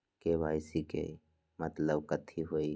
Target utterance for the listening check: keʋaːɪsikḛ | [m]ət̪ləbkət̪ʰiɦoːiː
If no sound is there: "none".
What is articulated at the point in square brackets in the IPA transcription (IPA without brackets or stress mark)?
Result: m